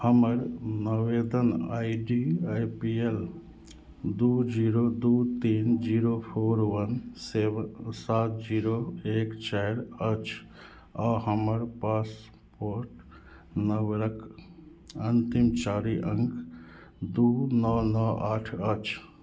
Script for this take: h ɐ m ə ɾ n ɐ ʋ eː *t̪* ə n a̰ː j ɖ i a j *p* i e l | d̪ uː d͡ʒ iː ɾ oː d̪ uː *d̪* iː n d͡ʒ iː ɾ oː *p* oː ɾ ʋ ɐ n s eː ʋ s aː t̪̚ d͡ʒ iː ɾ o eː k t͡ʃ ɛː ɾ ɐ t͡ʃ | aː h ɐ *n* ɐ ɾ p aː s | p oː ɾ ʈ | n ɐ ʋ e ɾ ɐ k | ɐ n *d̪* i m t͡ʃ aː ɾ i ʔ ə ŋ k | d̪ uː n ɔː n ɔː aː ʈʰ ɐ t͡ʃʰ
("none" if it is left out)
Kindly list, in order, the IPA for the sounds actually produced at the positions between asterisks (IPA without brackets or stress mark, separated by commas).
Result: d̪, p, t̪, pʰ, m, t̪